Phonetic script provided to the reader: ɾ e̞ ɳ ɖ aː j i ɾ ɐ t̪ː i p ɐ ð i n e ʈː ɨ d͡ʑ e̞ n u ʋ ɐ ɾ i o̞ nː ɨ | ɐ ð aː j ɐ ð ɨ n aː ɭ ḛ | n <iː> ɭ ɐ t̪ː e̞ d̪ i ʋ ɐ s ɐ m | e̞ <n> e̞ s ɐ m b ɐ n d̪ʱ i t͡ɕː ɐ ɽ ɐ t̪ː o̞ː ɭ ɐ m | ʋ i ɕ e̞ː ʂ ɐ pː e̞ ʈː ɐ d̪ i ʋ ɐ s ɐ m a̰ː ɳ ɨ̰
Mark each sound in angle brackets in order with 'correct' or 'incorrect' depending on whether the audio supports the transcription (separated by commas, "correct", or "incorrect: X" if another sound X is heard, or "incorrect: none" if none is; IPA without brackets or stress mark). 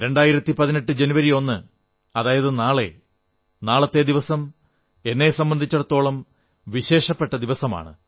incorrect: aː, incorrect: nː